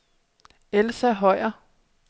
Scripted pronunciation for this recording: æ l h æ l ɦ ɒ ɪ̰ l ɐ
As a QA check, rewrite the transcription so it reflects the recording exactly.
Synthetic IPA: e l s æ ɦ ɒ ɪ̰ ɐ